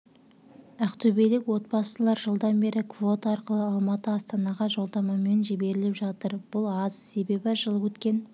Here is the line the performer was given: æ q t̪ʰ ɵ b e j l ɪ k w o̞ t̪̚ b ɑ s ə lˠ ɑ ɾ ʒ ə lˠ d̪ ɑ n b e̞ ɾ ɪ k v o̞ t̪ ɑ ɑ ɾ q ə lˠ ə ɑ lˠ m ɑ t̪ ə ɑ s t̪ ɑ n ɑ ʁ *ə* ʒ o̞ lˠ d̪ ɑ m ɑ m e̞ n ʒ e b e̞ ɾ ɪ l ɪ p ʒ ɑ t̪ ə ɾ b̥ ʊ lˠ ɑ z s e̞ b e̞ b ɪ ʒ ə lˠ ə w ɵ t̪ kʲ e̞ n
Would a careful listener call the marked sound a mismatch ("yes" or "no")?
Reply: yes